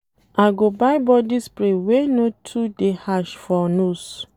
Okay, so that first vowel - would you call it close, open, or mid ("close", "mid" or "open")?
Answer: open